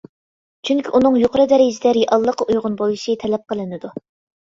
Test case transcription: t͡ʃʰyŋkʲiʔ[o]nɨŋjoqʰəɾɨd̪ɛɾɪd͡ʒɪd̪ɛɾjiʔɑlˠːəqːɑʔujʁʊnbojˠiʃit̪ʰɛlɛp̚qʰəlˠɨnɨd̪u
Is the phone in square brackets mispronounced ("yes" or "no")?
yes